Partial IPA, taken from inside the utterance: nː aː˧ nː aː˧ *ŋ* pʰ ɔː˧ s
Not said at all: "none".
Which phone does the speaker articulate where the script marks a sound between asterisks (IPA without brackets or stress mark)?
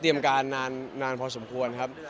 n